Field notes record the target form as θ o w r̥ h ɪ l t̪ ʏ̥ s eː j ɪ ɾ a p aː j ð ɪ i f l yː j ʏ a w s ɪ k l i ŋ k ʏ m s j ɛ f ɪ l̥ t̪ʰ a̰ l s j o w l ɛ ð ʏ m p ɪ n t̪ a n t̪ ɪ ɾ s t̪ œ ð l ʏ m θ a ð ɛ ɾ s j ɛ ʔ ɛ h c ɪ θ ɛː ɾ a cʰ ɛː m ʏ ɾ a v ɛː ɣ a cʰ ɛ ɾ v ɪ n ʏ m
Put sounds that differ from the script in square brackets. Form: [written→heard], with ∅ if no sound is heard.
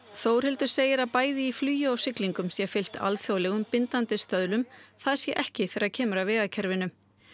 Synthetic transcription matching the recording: θ o w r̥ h ɪ l t̪ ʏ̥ s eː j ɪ ɾ a p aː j ð ɪ i f l yː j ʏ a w s ɪ k l i ŋ k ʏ m s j ɛ f ɪ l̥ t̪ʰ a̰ l [s→θ] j o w l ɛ [ð→ɣ] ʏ m p ɪ n t̪ a n t̪ ɪ [ɾ→∅] s t̪ œ ð l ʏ m θ a ð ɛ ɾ s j ɛ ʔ ɛ h c ɪ θ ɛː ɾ a cʰ ɛː m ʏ ɾ a v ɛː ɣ a cʰ ɛ ɾ v ɪ n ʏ m